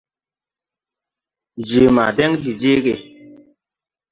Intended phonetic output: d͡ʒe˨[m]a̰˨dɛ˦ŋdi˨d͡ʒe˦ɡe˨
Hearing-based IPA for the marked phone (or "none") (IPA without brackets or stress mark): m